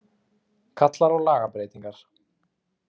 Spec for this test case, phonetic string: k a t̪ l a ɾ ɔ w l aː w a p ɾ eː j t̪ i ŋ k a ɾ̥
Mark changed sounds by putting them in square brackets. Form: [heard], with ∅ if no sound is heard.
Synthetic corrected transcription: [kʰ] a t̪ l a ɾ ɔ [ɣ] l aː [ɣ] a p ɾ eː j t̪ i ŋ k a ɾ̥

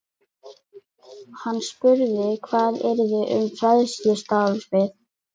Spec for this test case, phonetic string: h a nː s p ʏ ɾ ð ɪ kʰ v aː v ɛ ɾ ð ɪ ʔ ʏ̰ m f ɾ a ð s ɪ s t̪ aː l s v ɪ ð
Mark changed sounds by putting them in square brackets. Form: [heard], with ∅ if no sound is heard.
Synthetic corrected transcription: h a nː s p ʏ ɾ ð ɪ kʰ v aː [ð] ɛ ɾ ð ɪ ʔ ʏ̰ m f ɾ a ð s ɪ s t̪ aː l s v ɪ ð

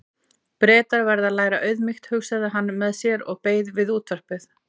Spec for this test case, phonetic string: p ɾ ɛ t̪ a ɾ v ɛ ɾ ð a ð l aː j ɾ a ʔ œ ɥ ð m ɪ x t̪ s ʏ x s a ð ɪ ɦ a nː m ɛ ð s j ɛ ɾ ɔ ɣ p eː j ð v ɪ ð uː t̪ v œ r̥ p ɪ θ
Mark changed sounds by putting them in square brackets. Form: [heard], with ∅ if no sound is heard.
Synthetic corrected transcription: p ɾ [ɛː] t̪ a ɾ v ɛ ɾ ð a ð l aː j ɾ a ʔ œ ɥ ð m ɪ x t̪ [h] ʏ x s a ð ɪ ɦ a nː m ɛ ð s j ɛ ɾ ɔ ɣ p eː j ð v ɪ ð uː t̪ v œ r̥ p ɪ θ

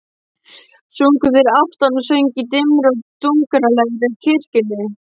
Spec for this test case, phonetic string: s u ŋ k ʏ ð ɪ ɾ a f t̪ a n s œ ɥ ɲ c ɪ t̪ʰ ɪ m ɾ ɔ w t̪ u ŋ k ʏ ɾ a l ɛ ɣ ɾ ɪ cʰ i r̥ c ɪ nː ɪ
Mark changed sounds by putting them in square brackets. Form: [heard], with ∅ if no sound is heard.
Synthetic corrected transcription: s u ŋ k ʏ ð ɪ ɾ a f t̪ a n s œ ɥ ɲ c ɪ [t̪] ɪ m ɾ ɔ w t̪ u ŋ k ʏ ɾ a l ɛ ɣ ɾ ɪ cʰ [ɪ] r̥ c ɪ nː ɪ

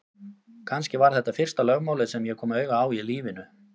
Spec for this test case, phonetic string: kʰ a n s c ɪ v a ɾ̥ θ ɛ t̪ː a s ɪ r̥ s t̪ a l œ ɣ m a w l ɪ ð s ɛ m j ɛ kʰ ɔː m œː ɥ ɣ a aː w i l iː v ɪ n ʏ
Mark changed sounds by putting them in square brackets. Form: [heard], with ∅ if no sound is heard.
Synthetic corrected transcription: kʰ a n s c ɪ v a ɾ̥ θ ɛ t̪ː a [f] ɪ r̥ s t̪ a l œ ɣ m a w l ɪ ð s ɛ m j ɛ kʰ ɔː m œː ɥ ɣ a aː w i l iː v ɪ n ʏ

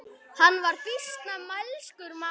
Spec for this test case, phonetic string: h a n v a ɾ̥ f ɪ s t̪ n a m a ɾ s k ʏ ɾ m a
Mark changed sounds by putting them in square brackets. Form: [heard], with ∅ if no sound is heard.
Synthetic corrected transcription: h a [nː] v a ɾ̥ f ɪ s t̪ n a m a [l] s k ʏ ɾ m a

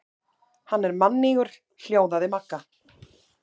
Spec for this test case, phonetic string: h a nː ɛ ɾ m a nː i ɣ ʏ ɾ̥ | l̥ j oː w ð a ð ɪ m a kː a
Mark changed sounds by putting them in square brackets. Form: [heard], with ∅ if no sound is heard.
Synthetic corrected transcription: h a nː ɛ ɾ m a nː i ɣ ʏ ɾ̥ | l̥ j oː w ð a ð ɪ m a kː a

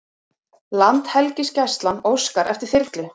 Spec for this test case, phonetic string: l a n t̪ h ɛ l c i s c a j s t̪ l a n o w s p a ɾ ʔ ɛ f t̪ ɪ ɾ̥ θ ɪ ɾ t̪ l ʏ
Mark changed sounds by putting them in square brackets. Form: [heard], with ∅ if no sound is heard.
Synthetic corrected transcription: l a n t̪ h ɛ l c [ɪ] s c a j s t̪ l a n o w s [k] a ɾ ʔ ɛ f t̪ ɪ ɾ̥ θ ɪ ɾ t̪ l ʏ

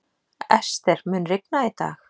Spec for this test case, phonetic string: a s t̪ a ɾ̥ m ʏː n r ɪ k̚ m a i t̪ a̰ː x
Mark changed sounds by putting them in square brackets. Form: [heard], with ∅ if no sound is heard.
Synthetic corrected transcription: [ɛ] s t̪ [ɛ] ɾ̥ m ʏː n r ɪ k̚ [n] a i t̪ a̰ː x

